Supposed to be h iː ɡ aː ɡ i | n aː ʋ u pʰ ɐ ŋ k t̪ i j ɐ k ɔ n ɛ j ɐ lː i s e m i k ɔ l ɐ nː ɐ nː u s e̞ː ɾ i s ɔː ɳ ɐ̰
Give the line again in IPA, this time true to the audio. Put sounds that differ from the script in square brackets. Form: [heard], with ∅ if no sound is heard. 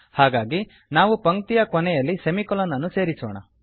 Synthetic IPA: h [aː] ɡ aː ɡ i | n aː ʋ u [p] ɐ ŋ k t̪ i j ɐ k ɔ n ɛ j ɐ lː i s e m i k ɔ l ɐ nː ɐ nː u s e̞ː ɾ i s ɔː ɳ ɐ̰

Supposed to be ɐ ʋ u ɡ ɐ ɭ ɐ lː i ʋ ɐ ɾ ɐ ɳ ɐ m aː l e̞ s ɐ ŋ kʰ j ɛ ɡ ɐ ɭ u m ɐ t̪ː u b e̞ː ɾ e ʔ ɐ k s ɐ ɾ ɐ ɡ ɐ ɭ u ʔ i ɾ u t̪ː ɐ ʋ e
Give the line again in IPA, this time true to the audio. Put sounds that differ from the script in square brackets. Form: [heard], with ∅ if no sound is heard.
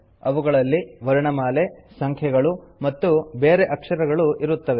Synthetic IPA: ɐ ʋ u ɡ ɐ ɭ ɐ lː i ʋ ɐ ɾ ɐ ɳ ɐ m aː l e̞ s ɐ ŋ kʰ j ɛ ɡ ɐ ɭ u m ɐ t̪ː u b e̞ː ɾ e ʔ ɐ k [ʂ] ɐ ɾ ɐ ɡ ɐ ɭ u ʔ i ɾ u t̪ː ɐ ʋ e

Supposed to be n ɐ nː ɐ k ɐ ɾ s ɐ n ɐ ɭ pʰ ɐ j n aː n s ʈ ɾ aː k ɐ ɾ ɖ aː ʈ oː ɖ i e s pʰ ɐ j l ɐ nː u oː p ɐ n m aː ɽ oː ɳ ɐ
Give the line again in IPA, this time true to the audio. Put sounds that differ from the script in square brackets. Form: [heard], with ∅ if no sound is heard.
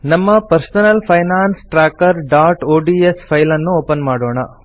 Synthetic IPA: n ɐ [mː] ɐ [p] ɐ ɾ s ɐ n ɐ [l] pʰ ɐ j n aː n s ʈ ɾ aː k ɐ ɾ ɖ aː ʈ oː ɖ i e s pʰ ɐ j l ɐ nː u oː p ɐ n m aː ɽ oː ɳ ɐ

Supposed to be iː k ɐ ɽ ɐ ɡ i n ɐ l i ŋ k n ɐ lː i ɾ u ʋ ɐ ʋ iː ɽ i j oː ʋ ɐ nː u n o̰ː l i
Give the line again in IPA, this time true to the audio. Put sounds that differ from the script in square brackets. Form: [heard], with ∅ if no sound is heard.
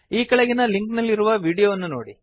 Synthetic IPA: iː k ɐ [ɭ] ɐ ɡ i n ɐ l i ŋ k n ɐ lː i ɾ u ʋ ɐ ʋ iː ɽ i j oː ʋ ɐ nː u n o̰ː [ɽ] i

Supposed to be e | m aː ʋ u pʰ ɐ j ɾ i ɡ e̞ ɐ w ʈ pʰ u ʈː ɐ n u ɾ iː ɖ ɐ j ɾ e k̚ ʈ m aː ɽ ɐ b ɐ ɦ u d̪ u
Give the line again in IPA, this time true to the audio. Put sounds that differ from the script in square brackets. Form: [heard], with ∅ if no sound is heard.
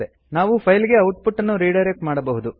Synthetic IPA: e | [n] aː ʋ u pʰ ɐ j [l] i ɡ e̞ ɐ w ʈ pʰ u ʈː ɐ [nː] u ɾ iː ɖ ɐ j ɾ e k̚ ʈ m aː ɽ ɐ b ɐ ɦ u d̪ u

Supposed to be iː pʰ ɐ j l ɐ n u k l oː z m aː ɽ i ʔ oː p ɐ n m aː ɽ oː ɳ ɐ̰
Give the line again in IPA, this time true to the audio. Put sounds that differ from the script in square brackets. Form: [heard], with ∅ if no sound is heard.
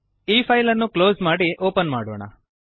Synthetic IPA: iː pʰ ɐ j l ɐ [nː] u k l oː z m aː ɽ i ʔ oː p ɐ n m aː ɽ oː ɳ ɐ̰

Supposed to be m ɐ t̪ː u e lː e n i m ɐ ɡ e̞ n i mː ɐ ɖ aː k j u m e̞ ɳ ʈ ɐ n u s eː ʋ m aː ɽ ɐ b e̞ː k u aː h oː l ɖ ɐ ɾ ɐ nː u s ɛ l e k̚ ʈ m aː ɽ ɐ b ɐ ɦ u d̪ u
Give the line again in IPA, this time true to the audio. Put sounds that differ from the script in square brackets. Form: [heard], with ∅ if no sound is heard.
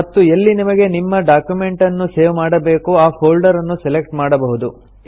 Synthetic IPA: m ɐ t̪ː u e lː [i] n i m ɐ ɡ e̞ n i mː ɐ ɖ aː k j u m e̞ ɳ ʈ ɐ [nː] u s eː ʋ m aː ɽ ɐ b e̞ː k u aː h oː l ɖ ɐ ɾ ɐ nː u s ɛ l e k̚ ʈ m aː ɽ ɐ b ɐ ɦ u d̪ u

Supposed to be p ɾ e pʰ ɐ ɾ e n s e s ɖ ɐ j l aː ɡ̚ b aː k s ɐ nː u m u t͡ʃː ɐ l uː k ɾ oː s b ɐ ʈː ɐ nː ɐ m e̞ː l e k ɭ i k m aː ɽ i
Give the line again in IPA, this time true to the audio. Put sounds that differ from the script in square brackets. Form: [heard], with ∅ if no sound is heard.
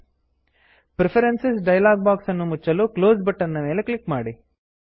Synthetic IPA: p ɾ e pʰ ɐ ɾ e n s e s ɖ ɐ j l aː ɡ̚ b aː k s ɐ nː u m u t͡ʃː ɐ l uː k [l] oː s b ɐ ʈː ɐ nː ɐ m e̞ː l e k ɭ i k m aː ɽ i

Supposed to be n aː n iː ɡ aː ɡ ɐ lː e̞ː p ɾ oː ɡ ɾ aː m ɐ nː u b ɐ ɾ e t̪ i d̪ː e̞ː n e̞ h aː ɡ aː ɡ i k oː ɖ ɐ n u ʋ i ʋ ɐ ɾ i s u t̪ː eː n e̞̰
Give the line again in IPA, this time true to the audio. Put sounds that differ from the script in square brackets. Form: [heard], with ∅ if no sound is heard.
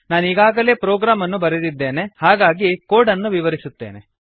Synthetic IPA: n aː n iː ɡ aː ɡ ɐ [l] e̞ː p ɾ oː ɡ ɾ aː m ɐ nː u b ɐ ɾ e [d̪] i d̪ː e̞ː n e̞ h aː ɡ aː ɡ i k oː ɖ ɐ [nː] u ʋ i ʋ ɐ ɾ i s u t̪ː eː n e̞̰

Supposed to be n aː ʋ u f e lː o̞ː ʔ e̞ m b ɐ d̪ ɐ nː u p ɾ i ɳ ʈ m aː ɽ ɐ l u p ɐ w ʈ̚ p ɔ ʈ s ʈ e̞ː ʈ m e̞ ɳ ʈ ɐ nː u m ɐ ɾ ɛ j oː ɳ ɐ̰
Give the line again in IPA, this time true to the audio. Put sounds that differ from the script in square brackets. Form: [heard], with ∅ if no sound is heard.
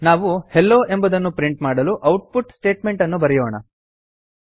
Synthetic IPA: n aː ʋ u [h] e lː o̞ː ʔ e̞ m b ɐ d̪ ɐ nː u p ɾ i ɳ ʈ m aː ɽ ɐ l u [ʔ] ɐ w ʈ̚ p [u] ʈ s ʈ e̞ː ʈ m e̞ ɳ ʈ ɐ nː u [b] ɐ ɾ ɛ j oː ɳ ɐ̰

